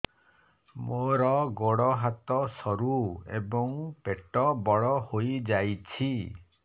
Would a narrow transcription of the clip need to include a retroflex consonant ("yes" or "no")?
yes